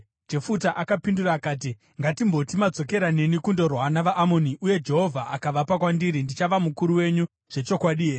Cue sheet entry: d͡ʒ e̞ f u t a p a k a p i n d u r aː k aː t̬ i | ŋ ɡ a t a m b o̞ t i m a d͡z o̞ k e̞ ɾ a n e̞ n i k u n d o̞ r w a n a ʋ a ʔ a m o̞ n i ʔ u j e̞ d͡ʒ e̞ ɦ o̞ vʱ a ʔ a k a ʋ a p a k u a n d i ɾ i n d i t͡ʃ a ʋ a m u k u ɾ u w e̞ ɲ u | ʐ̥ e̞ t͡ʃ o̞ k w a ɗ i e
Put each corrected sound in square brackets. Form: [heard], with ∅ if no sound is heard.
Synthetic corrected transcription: d͡ʒ e̞ f u t a [ʔ] a k a p i n d u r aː k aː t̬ i | ŋ ɡ a t [i] m b o̞ t i m a d͡z o̞ k e̞ ɾ a n e̞ n i k u n d o̞ r w a n a ʋ a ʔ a m o̞ n i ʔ u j e̞ d͡ʒ e̞ ɦ o̞ vʱ a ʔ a k a ʋ a p a k [w] a n d i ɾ i n d i t͡ʃ a ʋ a m u k u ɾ u w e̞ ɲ u | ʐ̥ e̞ t͡ʃ o̞ k w a ɗ i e